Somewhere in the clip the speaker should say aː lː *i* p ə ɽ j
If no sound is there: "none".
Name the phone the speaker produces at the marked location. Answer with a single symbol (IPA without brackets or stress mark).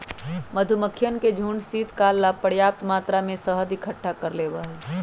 a